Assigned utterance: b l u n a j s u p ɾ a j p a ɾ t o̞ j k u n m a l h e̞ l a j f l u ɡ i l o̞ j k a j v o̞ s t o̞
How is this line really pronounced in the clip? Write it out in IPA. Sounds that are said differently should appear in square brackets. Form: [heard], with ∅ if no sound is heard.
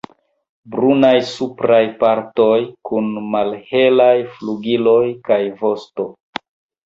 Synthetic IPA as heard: b [ɾ] u n a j s u p ɾ a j p a ɾ t o̞ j k u n m a l h e̞ l a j f l u ɡ i l o̞ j k a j v o̞ s t o̞